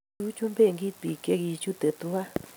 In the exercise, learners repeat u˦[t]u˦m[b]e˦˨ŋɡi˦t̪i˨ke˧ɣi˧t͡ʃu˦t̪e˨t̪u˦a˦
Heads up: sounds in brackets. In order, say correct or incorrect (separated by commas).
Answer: incorrect, correct